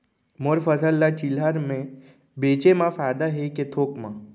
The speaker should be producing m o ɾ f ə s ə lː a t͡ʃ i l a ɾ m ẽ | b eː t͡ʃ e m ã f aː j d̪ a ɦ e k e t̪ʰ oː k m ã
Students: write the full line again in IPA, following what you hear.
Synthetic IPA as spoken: m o ɾ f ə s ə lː a t͡ʃ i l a ɾ m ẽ | b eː t͡ʃ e m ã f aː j d̪ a ɦ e k e t̪ʰ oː k m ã